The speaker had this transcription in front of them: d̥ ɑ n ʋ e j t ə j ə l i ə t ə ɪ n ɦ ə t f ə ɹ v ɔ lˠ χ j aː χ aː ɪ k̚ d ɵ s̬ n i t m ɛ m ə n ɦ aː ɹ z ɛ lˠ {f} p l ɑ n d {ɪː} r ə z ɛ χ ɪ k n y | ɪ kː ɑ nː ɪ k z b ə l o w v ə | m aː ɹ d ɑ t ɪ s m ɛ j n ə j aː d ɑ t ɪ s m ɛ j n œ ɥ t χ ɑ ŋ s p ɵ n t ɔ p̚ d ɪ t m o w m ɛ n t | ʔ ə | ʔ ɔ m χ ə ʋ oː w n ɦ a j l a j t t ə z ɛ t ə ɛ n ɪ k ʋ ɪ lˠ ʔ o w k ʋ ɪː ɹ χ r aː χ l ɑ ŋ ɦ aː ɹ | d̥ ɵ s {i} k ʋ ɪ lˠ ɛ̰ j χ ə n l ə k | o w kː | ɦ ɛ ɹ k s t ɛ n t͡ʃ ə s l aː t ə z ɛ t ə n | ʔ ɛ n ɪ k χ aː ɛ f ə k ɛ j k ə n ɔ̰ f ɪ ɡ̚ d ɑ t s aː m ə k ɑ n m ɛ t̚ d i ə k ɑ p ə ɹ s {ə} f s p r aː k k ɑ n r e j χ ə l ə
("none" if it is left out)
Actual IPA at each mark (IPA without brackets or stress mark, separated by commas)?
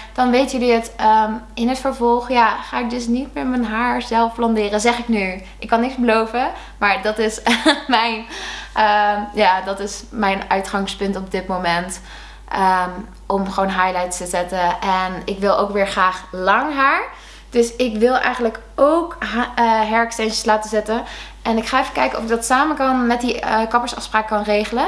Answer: f, ɪː, ɪ, ɑ